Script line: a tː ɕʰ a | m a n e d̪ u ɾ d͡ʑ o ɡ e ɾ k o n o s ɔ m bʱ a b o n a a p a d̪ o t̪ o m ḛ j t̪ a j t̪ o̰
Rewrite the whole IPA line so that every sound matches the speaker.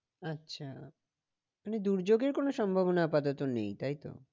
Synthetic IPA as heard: a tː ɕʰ a | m a n e d̪ u ɾ d͡ʑ o ɡ e ɾ k o n o ʃ ɔ m bʱ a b o n a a p a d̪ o t̪ o n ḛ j t̪ a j t̪ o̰